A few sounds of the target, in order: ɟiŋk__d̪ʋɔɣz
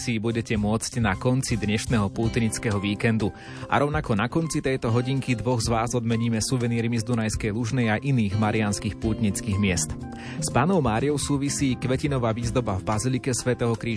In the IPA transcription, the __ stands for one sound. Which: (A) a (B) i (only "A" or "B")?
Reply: B